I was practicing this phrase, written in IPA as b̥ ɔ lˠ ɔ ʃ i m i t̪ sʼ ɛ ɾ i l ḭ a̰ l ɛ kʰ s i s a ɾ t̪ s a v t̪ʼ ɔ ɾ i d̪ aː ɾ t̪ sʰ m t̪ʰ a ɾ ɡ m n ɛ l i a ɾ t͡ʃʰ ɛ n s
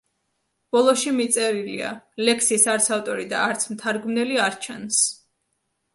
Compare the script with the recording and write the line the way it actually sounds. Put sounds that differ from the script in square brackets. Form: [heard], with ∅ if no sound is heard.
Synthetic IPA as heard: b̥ ɔ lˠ ɔ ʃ i m i t̪ sʼ ɛ ɾ i l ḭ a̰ l ɛ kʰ s i s a ɾ t̪ s a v t̪ʼ ɔ ɾ i d̪ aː ɾ t̪ sʰ m t̪ʰ a ɾ ɡ m n ɛ l i a ɾ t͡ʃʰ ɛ n s